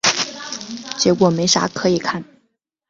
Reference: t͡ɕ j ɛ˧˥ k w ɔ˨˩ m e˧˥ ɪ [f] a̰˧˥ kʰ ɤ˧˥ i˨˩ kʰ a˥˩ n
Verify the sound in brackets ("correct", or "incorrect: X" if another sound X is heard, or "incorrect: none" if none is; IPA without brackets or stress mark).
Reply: incorrect: ʂ